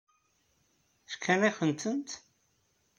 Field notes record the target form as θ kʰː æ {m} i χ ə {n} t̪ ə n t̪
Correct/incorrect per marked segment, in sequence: incorrect: n, correct

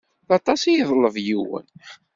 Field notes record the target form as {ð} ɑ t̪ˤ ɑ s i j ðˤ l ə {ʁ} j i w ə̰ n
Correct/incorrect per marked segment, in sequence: incorrect: θ, incorrect: v

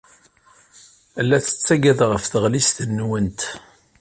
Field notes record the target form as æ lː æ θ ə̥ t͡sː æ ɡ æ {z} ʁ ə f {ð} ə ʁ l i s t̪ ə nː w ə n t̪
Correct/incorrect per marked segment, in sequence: incorrect: ð, incorrect: θ

